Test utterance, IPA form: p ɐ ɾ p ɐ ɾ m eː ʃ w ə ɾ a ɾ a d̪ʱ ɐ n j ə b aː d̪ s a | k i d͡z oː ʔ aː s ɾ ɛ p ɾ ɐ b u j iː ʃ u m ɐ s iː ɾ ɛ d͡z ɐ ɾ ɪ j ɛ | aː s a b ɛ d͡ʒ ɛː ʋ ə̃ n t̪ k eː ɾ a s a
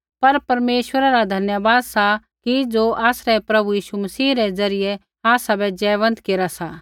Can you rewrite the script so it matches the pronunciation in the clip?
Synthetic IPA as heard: p ɐ ɾ p ɐ ɾ m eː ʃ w ə ɾ a ɾ a d̪ʱ ɐ n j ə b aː d̪ s a | k i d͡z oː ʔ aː s ɾ ɛ p ɾ ɐ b u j iː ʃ u m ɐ s iː ɾ ɛ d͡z ɐ ɾ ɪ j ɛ | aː s a b ɛ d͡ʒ ɛː ʋ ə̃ n t̪ k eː ɾ a s a